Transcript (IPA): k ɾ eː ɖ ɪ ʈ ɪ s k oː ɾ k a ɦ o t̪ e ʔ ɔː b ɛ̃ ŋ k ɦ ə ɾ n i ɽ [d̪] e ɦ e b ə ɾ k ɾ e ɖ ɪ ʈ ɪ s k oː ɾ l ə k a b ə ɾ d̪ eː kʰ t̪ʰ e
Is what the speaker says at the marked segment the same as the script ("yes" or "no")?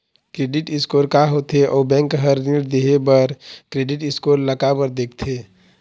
yes